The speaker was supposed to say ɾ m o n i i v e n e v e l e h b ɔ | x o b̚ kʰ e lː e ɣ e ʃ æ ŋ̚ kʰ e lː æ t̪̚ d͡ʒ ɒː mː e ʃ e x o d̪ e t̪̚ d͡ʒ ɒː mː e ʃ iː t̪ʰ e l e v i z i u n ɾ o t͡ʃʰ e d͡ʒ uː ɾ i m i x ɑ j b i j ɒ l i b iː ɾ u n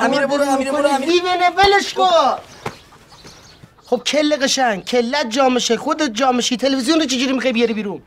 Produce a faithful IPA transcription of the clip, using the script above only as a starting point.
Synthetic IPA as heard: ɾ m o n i i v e n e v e l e ʃ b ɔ | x o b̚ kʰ e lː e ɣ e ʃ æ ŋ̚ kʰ e lː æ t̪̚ d͡ʒ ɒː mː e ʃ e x o d̪ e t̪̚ d͡ʒ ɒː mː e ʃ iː t̪ʰ e l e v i z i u n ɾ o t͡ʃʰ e d͡ʒ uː ɾ i m i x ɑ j b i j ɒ ɾ i b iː ɾ u n